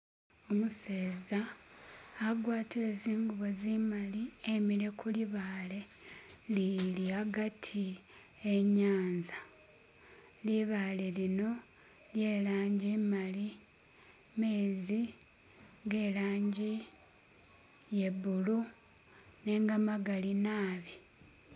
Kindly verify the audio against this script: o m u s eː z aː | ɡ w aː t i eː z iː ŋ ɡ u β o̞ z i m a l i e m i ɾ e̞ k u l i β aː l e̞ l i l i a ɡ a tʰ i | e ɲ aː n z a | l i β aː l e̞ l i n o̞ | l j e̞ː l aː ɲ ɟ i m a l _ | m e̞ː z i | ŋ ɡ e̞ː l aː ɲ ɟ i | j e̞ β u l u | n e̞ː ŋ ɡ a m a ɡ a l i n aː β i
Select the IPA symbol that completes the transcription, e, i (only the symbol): i